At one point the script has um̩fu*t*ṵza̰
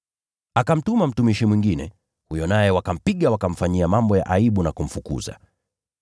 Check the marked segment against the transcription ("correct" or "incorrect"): incorrect